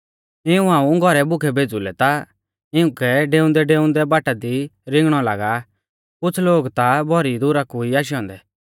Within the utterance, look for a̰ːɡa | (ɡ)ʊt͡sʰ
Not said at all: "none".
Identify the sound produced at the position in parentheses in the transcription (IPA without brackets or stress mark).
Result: k